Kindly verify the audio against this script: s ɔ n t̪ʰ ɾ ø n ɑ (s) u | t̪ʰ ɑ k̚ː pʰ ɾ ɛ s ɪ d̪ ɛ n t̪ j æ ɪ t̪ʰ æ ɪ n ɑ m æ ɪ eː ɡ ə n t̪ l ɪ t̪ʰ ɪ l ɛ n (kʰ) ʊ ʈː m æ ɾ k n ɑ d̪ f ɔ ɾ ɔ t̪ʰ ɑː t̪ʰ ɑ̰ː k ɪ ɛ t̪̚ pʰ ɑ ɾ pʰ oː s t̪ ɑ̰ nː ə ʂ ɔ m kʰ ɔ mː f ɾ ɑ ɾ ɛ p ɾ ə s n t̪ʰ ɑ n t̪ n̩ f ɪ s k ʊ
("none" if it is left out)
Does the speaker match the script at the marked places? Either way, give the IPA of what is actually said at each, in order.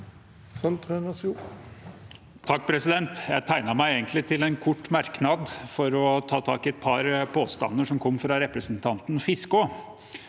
s, kʰ

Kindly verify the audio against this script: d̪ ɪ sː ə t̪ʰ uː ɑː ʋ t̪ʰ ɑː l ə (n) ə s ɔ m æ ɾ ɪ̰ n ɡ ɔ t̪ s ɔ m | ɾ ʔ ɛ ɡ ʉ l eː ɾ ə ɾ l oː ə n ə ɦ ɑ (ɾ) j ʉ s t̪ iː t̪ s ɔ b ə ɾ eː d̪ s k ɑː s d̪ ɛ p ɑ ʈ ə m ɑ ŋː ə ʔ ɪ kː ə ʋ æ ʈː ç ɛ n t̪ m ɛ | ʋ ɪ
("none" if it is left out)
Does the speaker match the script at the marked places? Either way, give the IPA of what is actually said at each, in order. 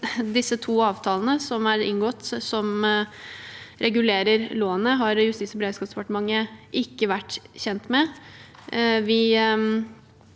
n, ɾ

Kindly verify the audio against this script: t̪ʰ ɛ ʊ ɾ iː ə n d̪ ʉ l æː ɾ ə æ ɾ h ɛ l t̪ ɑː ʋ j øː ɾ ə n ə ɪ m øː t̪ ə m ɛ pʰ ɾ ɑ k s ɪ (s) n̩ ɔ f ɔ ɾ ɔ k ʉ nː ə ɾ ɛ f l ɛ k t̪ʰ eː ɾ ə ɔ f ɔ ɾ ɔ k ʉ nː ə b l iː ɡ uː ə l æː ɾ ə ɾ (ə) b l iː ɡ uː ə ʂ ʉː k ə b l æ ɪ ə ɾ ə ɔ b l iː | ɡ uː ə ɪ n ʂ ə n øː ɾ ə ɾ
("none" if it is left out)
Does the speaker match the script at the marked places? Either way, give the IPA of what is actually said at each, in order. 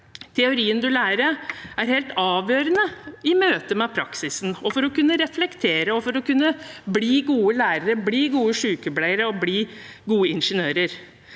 s, ə

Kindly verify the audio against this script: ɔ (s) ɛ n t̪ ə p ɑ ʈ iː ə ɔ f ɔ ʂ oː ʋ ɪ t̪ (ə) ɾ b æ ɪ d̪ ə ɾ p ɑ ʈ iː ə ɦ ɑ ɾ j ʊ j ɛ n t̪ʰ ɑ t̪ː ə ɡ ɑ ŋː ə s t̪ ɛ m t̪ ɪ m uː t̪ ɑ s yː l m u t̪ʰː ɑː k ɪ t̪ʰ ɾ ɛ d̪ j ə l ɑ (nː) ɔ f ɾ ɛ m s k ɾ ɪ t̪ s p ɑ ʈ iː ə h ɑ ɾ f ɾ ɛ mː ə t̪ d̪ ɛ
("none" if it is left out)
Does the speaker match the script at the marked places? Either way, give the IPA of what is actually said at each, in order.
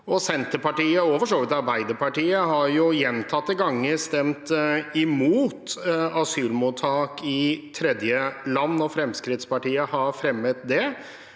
s, ɑ, nː

